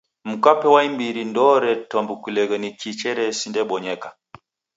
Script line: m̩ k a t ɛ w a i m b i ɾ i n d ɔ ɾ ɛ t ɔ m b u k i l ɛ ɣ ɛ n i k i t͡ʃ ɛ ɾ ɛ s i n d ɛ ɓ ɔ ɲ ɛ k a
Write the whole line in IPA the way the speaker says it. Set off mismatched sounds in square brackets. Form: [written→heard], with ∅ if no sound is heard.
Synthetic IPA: m̩ k a [t→p] ɛ w a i m b i ɾ i n d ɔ ɾ ɛ t ɔ m b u k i l ɛ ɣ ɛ n i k i t͡ʃ ɛ ɾ ɛ s i n d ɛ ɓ ɔ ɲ ɛ k a